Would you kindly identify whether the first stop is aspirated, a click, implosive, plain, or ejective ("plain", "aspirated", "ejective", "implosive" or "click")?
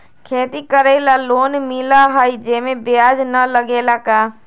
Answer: aspirated